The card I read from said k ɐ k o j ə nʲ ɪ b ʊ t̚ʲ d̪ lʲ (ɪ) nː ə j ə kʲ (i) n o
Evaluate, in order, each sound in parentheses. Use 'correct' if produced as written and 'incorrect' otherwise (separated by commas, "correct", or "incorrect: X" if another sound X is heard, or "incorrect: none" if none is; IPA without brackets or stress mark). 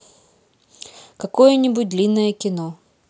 incorrect: i, incorrect: ɪ